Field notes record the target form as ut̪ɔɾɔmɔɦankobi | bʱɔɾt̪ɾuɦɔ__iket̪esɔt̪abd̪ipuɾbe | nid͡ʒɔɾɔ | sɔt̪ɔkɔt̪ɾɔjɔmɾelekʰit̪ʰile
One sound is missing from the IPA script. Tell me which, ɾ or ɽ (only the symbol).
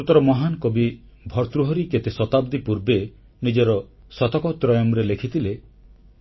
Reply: ɾ